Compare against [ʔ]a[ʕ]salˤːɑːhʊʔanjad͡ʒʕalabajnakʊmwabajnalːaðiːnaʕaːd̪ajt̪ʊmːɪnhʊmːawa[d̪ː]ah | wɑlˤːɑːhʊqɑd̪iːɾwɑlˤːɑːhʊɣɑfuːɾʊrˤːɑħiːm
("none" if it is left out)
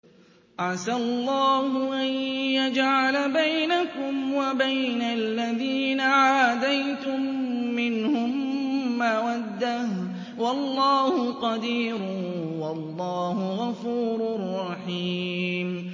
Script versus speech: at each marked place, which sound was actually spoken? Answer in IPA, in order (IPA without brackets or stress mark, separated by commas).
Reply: ʔ, ʕ, d̪ː